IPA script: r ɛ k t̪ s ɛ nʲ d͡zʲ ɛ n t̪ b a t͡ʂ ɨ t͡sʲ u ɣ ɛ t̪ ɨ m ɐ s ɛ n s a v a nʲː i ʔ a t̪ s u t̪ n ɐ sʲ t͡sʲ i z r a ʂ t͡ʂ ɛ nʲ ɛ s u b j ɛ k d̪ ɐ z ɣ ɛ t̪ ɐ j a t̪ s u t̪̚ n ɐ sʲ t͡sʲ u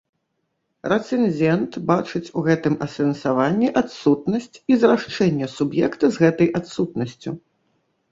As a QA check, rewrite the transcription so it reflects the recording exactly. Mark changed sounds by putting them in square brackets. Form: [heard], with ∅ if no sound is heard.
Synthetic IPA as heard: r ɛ [∅] t̪ s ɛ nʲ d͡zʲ ɛ n t̪ b a t͡ʂ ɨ t͡sʲ u ɣ ɛ t̪ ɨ m ɐ s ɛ n s a v a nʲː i ʔ a t̪ s u t̪ n ɐ sʲ t͡sʲ i z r a ʂ t͡ʂ ɛ [nʲː] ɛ s u b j ɛ k [t̪] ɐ z ɣ ɛ t̪ ɐ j a t̪ s u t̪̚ n ɐ sʲ t͡sʲ u